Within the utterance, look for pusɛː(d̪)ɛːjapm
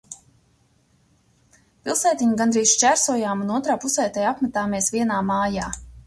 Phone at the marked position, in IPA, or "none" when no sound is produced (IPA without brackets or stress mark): t̪